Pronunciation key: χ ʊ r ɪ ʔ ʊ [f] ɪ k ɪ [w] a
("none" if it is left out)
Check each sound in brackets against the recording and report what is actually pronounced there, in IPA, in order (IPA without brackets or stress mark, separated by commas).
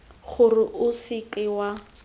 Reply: s, w